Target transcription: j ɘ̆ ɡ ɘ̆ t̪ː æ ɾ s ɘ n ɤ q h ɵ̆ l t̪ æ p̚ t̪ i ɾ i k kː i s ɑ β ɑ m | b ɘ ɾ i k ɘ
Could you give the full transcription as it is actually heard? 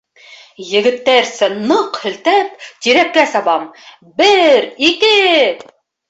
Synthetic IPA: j ɘ̆ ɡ ɘ̆ t̪ː æ ɾ s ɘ n ɤ q h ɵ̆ l t̪ æ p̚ t̪ i ɾ æ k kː æ s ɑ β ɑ m | b ɘ ɾ i k ɘ